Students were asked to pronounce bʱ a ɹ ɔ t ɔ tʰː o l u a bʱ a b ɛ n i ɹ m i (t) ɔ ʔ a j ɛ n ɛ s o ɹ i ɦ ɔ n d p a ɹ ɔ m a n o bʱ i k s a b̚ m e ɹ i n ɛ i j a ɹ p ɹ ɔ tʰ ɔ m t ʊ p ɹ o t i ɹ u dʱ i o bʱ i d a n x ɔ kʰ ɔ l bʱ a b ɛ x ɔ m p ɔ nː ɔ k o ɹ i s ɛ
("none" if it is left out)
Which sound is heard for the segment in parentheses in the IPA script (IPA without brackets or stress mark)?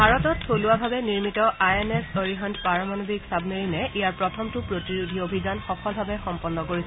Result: t